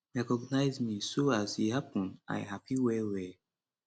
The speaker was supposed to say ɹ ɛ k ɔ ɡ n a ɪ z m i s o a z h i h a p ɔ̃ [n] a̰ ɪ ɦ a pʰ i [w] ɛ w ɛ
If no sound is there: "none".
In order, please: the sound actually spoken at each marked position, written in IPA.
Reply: n, w

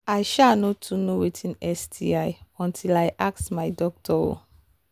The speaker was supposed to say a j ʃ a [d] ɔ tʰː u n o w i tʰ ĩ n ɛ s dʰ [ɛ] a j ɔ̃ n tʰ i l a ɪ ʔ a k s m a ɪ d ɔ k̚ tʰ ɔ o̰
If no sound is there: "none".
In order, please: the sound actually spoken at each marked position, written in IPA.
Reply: n, i

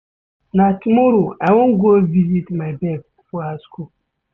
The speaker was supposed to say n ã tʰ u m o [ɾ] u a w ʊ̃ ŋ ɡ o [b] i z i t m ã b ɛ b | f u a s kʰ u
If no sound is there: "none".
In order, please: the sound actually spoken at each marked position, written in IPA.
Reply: ɾ, v

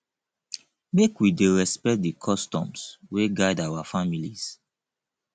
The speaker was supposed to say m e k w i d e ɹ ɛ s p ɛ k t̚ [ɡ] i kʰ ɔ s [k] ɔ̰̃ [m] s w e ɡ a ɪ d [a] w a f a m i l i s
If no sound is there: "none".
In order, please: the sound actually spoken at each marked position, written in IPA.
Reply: d, t, m, a

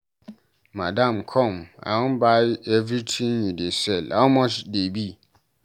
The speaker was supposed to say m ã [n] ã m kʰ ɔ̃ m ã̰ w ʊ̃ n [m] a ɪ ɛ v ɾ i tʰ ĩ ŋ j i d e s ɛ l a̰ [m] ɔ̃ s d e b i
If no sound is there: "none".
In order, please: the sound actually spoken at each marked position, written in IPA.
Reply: d, b, m

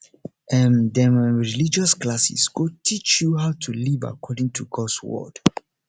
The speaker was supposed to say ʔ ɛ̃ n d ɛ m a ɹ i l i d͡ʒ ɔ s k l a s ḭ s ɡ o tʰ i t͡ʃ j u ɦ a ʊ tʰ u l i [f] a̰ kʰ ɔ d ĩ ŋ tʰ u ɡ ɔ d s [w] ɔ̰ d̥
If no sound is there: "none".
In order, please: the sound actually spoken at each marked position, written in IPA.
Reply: v, w

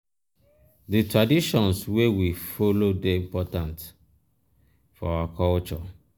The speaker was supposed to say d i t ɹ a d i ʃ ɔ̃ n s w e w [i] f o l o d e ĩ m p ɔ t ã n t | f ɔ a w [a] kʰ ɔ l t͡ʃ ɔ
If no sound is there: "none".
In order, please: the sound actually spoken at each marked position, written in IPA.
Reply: i, a

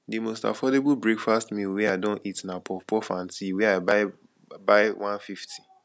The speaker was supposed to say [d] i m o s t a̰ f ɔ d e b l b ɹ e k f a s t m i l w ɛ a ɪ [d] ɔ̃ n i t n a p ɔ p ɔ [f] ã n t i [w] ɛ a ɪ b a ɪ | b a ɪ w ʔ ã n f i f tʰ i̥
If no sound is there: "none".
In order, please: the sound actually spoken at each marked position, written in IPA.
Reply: d, d, f, w

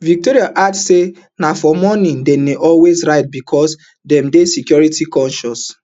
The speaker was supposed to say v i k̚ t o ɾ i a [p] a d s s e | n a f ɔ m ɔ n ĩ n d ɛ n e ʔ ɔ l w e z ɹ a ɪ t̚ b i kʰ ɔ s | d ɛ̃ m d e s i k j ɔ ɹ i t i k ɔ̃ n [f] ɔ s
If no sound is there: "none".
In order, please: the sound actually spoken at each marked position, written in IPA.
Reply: ʔ, ʃ

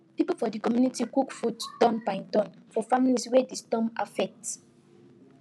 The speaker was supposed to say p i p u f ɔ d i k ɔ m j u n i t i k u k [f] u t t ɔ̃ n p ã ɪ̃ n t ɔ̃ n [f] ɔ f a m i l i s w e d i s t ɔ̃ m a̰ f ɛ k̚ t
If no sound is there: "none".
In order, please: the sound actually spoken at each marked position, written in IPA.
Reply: f, f

